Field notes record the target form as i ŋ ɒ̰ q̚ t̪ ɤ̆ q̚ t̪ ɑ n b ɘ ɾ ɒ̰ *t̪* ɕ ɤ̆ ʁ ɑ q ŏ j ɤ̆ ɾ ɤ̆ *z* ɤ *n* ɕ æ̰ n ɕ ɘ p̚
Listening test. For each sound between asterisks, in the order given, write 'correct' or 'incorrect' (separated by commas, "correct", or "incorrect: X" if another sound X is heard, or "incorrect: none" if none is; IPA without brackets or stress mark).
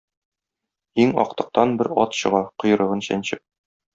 correct, incorrect: ʁ, correct